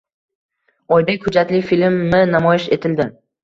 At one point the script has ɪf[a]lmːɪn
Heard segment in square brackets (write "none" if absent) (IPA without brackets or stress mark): i